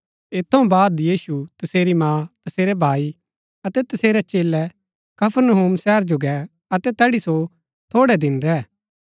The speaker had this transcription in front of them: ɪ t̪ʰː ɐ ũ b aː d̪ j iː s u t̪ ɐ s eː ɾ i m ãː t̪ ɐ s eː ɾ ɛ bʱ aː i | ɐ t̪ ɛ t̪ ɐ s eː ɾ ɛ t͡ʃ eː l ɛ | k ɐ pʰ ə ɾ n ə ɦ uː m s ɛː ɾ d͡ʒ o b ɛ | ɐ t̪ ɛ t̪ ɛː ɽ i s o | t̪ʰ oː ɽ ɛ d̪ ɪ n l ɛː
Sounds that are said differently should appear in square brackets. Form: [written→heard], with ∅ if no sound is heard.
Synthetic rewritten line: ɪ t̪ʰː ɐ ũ b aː d̪ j iː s u t̪ ɐ s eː ɾ i m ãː t̪ ɐ s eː ɾ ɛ bʱ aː i | ɐ t̪ ɛ t̪ ɐ s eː ɾ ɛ t͡ʃ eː l ɛ | k ɐ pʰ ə ɾ n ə ɦ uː m s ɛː ɾ d͡ʒ o [b→ɡ] ɛ | ɐ t̪ ɛ t̪ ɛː ɽ i s o | t̪ʰ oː ɽ ɛ d̪ ɪ n [l→ɾ] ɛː